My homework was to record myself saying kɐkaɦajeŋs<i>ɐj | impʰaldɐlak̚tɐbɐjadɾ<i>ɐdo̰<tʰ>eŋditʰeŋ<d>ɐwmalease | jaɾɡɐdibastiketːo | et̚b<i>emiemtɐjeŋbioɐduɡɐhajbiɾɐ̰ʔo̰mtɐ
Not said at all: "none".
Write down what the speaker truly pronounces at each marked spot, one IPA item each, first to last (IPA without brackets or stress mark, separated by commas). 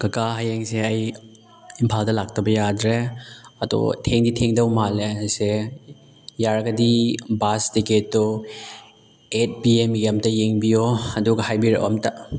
e, e, tʰ, d, i